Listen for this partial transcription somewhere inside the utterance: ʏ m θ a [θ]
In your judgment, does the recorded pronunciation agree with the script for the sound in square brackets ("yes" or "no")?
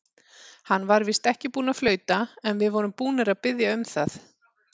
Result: yes